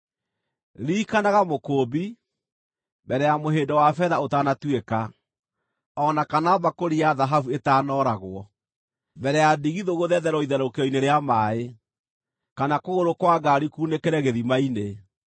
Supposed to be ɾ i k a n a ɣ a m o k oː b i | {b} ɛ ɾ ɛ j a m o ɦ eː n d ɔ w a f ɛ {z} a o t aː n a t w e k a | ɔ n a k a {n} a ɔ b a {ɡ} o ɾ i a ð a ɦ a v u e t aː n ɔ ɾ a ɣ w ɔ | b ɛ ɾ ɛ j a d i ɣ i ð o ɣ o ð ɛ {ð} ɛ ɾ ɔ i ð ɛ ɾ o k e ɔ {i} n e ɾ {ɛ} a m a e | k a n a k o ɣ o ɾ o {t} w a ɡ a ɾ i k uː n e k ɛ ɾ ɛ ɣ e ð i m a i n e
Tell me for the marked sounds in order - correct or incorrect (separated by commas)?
correct, incorrect, correct, incorrect, correct, correct, incorrect, incorrect